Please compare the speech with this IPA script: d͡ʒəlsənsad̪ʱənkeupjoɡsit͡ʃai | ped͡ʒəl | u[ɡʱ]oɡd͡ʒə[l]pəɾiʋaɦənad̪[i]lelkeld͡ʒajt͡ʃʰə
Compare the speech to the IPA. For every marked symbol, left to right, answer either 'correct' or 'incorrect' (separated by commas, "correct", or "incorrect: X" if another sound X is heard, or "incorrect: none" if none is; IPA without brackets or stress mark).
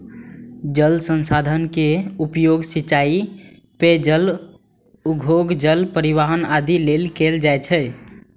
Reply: correct, correct, correct